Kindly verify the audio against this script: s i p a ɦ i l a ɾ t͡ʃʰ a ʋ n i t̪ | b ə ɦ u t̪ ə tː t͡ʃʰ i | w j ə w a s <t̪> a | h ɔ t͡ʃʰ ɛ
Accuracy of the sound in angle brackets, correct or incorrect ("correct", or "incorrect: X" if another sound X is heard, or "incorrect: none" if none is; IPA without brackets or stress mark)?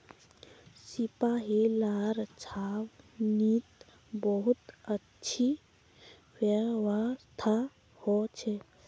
incorrect: t̪ʰ